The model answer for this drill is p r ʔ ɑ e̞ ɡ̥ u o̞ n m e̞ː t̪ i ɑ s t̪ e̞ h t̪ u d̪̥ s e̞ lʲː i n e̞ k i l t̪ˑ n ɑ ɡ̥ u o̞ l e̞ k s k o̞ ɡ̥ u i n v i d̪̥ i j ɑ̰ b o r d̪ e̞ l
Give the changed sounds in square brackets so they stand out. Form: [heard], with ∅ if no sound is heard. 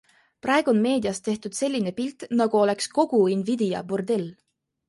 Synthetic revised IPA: p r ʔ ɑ e̞ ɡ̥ u o̞ n m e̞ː [d̪] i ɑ s t̪ e̞ h t̪ u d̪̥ s e̞ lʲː i n e̞ [p] i l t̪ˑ n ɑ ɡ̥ u o̞ l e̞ k s k o̞ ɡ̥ u i n v i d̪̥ i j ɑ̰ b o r d̪ e̞ l